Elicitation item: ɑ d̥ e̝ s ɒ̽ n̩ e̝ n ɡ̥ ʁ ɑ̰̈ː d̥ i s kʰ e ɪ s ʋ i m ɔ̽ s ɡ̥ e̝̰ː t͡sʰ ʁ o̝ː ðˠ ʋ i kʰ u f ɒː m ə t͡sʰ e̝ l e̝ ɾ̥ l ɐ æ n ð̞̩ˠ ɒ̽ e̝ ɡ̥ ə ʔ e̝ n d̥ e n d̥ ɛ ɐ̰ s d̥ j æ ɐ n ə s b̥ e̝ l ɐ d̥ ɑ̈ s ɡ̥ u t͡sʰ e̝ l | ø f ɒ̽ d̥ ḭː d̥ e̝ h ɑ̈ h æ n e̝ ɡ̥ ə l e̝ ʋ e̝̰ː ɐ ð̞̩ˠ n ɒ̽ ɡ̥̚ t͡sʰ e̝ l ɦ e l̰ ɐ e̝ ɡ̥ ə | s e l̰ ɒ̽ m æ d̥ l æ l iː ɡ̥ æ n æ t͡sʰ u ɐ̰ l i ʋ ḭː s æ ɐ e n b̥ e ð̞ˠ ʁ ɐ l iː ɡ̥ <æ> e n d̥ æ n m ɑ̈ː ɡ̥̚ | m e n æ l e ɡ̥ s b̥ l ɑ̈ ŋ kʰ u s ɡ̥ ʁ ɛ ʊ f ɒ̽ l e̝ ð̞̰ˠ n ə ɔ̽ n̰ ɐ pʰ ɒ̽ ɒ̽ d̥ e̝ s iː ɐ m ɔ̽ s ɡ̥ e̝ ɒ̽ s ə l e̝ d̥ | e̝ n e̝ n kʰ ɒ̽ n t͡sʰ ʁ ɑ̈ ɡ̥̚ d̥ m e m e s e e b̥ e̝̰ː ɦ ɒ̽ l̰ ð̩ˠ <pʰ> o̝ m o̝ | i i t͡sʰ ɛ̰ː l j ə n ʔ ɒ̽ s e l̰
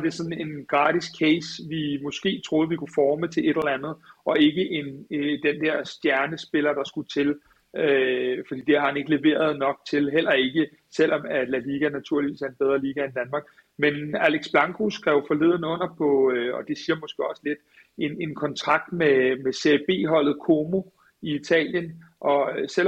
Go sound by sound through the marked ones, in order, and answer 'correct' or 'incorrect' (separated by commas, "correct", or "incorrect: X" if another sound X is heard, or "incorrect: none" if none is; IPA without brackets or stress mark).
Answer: correct, incorrect: kʰ